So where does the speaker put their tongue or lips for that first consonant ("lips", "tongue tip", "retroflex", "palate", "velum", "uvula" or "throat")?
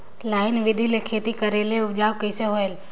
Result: tongue tip